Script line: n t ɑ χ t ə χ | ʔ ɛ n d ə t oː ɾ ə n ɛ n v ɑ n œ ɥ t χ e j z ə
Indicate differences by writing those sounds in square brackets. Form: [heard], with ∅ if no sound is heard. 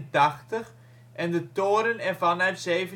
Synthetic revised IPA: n t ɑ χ t ə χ | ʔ ɛ n d ə t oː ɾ ə n ɛ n v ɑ n œ ɥ t [s] e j [v] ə

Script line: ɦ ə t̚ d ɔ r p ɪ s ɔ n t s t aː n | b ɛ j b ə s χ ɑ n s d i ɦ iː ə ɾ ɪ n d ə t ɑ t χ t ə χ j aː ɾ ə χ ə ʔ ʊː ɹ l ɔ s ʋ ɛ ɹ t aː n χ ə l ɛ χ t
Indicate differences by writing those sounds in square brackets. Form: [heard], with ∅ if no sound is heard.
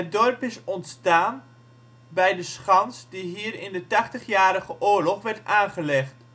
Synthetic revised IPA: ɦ ə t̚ d ɔ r p ɪ s ɔ n t s t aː n | b ɛ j [d] ə s χ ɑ n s d i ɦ iː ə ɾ ɪ n d ə t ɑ [∅] χ t ə χ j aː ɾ ə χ ə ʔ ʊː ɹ l ɔ [χ] ʋ ɛ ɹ t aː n χ ə l ɛ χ t

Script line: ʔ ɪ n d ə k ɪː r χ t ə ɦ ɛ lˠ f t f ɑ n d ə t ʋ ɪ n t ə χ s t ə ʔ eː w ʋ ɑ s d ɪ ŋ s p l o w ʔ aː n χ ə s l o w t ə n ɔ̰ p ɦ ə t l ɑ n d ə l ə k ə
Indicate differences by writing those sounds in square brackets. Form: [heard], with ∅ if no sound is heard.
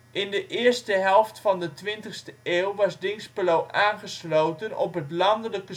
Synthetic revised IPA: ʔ ɪ n d ə [ʔ] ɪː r [s] t ə ɦ ɛ lˠ f t f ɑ n d ə t ʋ ɪ n t ə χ s t ə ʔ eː w ʋ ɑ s d ɪ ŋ s p l o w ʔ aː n χ ə s l o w t ə n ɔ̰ p ɦ ə t l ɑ n d ə l ə k ə

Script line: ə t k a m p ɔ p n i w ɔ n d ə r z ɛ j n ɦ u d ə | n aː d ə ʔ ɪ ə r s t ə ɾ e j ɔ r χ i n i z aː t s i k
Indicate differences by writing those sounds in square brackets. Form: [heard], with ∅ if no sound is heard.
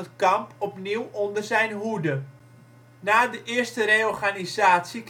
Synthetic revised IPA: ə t k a m p ɔ p n i w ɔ n d ə r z ɛ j n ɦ u d ə | n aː d ə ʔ ɪ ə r s t ə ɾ e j ɔ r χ [a] n i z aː t s i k

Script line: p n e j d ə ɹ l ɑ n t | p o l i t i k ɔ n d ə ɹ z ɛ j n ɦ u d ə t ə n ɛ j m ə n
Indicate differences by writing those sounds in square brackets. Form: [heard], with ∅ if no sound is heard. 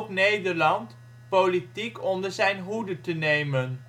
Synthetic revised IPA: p n e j d ə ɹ l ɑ n t | p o l i t i k ɔ n d ə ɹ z ɛ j n ɦ u d ə t ə n [e] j m ə n

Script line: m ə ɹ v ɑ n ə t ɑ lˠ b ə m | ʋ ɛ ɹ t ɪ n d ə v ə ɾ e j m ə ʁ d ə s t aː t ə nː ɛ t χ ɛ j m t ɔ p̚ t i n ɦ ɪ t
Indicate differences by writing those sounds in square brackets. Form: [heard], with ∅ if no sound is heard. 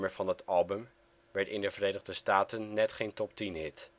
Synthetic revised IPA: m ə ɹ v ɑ n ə t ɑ lˠ b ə m | ʋ ɛ ɹ t ɪ n d ə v ə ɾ e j [n] ə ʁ d ə s t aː t ə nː ɛ t χ [e] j [n] t ɔ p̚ t i n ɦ ɪ t

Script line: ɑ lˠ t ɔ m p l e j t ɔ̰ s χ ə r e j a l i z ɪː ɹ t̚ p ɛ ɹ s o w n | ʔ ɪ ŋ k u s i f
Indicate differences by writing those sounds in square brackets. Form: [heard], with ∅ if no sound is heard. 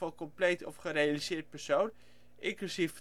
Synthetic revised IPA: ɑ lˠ [k] ɔ m p l e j t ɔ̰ [f] χ ə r e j a l i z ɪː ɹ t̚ p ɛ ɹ s o w n | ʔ ɪ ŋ k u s i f

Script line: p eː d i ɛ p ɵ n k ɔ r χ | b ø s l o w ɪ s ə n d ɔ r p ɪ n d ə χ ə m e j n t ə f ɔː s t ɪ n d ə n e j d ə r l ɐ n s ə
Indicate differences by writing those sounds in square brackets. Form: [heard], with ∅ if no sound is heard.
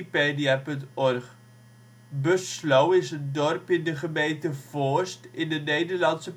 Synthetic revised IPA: p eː d i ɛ p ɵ n [t] ɔ r χ | b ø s l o w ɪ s ə n d ɔ r p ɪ n d ə χ ə m e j n t ə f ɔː s t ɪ n d ə n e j d ə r l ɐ n s ə

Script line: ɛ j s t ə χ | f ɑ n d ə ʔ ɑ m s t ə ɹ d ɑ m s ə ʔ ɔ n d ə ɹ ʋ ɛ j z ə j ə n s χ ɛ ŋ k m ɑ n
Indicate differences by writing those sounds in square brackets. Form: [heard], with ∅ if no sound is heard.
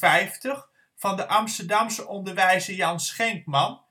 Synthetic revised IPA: ɛ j [f] t ə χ | f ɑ n d ə ʔ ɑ m s t ə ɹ d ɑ m s ə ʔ ɔ n d ə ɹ ʋ ɛ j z ə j [ɑ] n s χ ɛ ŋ k m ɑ n

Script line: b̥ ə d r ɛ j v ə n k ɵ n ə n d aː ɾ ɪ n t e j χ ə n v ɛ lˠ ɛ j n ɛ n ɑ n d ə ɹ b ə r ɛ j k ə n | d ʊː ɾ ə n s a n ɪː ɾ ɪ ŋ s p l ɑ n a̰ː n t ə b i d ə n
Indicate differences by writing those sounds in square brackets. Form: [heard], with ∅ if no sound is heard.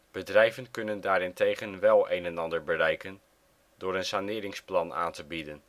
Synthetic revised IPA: b̥ ə d r ɛ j v ə n k ɵ n ə n d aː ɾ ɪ n t e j χ ə n [ʋ] ɛ lˠ [e] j n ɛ n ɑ n d ə ɹ b ə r ɛ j k ə n | d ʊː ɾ ə n s a n ɪː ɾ ɪ ŋ s p l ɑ n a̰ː n t ə b i d ə n

